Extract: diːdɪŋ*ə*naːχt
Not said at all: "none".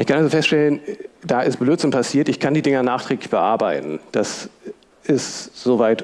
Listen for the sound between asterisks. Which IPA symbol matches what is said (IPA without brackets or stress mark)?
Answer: ɐ